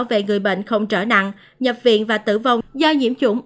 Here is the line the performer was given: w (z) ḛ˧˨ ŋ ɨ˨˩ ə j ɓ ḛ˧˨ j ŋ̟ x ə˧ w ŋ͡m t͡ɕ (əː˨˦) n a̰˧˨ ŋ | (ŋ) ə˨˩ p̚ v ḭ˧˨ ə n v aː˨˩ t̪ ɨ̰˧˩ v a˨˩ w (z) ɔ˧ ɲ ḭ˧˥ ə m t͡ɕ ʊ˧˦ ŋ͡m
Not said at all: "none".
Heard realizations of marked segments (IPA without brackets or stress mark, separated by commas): v, əː˧˩, ɲ, z